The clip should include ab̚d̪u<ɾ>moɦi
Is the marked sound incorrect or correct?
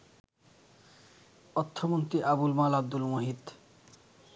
incorrect